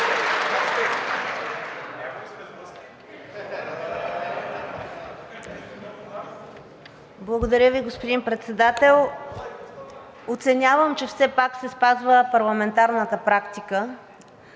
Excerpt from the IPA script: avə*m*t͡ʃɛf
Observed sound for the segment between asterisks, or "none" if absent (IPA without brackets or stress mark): m